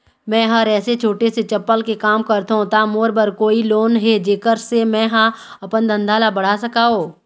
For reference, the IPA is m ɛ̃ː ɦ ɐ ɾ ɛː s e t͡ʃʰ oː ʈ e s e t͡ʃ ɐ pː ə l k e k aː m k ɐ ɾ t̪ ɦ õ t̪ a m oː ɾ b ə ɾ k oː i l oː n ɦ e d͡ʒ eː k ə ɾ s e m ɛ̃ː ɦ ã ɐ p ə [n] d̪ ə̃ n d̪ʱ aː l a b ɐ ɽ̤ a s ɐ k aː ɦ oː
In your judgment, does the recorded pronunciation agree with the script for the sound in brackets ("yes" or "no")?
yes